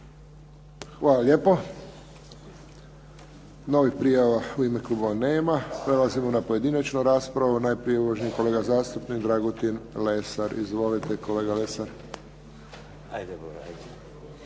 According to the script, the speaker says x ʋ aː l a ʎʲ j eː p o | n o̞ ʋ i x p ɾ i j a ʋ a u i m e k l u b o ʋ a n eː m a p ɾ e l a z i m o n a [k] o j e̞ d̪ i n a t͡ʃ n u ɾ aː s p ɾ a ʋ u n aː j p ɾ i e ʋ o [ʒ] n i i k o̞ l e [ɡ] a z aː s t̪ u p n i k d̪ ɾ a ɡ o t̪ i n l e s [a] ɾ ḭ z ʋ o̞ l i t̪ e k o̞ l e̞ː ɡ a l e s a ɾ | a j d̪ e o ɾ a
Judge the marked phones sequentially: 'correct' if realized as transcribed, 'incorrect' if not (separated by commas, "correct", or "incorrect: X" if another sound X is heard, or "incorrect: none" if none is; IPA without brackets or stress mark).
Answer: incorrect: p, correct, correct, correct